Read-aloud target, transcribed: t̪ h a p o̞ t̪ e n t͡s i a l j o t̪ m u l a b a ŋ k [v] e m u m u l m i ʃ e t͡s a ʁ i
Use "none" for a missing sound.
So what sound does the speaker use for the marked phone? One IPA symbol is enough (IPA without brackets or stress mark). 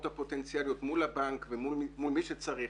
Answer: v